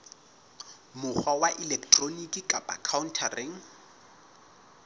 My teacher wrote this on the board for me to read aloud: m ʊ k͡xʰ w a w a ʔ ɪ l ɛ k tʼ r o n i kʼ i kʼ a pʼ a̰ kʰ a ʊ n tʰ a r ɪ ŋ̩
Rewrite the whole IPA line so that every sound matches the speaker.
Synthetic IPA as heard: m ʊ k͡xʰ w a w a ʔ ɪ l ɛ k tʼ r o n i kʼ i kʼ a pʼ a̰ kʰ a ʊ n tʰ a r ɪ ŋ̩